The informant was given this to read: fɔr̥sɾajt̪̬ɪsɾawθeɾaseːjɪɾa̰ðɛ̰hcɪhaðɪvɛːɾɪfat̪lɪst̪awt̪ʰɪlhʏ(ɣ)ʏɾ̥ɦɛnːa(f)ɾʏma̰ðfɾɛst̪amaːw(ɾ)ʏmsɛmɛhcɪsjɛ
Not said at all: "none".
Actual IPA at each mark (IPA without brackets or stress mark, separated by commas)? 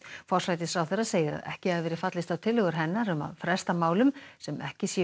ɣ, none, l